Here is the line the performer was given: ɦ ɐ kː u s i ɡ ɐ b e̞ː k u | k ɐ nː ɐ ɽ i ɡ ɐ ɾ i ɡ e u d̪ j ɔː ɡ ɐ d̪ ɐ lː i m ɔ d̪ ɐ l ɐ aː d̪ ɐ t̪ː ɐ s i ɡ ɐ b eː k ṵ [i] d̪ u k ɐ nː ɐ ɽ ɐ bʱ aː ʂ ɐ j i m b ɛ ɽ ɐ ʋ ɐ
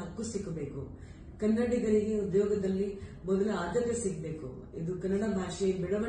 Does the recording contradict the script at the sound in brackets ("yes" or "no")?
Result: no